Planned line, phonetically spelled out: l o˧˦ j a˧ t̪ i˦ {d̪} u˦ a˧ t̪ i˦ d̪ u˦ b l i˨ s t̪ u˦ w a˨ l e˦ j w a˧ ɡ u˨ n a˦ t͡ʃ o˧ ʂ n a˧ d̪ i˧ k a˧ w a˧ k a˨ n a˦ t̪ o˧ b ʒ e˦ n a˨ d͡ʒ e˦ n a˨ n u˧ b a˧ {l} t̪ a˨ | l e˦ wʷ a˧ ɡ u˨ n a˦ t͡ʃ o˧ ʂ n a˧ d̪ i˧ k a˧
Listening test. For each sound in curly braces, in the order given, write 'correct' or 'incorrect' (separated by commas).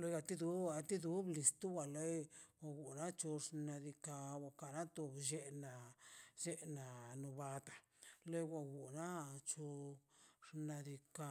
correct, incorrect